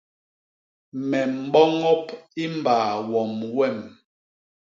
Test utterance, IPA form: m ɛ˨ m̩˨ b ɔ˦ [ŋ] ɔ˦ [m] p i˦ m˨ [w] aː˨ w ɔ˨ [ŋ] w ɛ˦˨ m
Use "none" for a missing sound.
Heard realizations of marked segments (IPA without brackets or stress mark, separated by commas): ŋ, none, b, m